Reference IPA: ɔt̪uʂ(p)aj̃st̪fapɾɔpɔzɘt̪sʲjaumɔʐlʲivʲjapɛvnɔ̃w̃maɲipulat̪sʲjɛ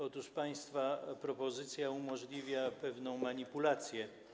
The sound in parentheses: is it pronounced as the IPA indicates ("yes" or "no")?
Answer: yes